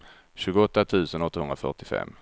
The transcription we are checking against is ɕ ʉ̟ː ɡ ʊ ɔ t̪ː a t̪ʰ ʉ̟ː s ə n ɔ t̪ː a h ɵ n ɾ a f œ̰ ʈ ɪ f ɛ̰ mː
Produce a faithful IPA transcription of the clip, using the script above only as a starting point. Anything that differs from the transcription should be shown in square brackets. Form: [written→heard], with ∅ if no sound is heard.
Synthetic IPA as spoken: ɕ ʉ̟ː ɡ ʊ ɔ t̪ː a t̪ʰ ʉ̟ː s ə n ɔ t̪ː a h ɵ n ɾ a f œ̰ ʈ ɪ f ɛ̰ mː